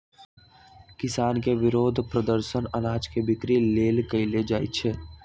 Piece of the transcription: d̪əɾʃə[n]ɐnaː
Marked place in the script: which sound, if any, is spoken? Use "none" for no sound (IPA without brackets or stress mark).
n